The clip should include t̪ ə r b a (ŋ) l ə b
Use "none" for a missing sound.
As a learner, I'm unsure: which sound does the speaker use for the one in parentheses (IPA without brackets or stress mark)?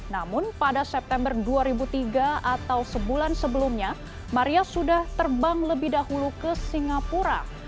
ŋ